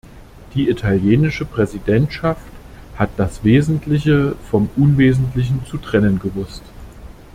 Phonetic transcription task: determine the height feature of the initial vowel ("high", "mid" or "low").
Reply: high